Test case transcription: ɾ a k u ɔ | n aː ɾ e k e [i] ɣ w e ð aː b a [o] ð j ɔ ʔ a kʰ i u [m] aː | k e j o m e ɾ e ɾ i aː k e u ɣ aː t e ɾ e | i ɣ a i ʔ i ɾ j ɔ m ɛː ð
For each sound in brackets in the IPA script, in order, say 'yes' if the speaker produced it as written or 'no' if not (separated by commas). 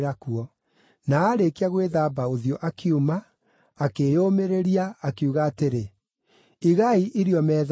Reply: no, yes, yes